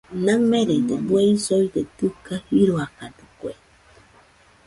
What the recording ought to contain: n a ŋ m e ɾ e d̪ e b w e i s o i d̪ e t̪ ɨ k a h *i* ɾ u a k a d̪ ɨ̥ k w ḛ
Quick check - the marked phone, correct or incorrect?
correct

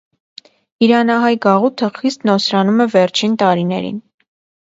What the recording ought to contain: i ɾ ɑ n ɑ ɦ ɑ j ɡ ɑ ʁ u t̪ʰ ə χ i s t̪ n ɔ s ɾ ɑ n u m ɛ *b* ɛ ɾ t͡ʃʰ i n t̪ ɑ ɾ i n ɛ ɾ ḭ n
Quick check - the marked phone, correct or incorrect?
incorrect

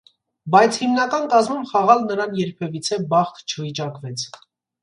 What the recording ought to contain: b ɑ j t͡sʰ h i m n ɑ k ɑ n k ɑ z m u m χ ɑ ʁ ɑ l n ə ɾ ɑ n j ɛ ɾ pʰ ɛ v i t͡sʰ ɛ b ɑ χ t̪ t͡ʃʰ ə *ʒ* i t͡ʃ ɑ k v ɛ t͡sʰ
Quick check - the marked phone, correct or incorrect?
incorrect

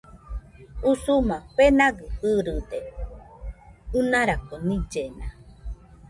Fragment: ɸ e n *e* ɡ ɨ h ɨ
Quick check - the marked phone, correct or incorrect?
incorrect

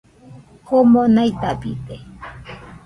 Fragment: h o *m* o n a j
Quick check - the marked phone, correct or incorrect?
correct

